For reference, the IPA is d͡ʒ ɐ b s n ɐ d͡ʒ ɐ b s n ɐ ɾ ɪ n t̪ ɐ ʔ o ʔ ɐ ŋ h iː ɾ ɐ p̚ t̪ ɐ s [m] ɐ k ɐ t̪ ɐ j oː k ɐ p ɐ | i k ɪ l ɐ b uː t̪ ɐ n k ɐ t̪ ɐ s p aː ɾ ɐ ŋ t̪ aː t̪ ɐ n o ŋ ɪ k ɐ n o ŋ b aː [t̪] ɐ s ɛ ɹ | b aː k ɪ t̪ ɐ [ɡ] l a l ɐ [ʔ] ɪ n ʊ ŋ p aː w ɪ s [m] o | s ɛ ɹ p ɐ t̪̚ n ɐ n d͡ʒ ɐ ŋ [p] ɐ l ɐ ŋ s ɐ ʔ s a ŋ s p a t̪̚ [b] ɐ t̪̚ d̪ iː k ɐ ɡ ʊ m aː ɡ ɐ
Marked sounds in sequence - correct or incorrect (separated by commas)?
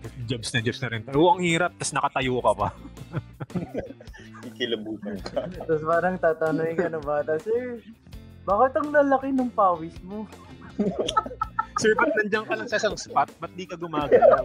incorrect, correct, incorrect, incorrect, correct, incorrect, correct